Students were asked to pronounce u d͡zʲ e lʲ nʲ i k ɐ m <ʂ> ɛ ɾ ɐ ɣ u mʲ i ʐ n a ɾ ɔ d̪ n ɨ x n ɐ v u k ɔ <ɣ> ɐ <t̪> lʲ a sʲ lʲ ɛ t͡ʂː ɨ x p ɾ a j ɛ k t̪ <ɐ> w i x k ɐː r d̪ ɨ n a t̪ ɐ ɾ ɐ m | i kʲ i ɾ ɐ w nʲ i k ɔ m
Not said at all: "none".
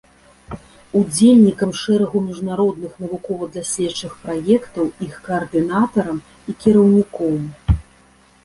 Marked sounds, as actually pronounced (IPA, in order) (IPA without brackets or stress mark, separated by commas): ʂ, v, d̪, ɐ